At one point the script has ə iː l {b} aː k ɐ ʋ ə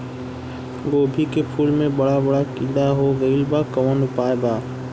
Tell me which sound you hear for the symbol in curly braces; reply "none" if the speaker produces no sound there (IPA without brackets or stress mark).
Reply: b